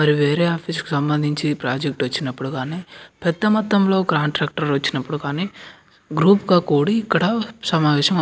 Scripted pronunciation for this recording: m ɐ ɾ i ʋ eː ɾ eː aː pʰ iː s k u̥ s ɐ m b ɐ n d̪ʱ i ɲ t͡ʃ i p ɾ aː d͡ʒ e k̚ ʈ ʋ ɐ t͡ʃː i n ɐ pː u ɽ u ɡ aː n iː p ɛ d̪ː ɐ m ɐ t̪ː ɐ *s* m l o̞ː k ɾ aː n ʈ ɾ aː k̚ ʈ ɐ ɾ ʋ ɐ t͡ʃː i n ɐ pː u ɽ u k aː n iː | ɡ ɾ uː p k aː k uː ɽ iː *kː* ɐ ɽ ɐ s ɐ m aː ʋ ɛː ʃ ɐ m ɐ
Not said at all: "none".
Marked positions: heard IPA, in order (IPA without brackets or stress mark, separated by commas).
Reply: none, kː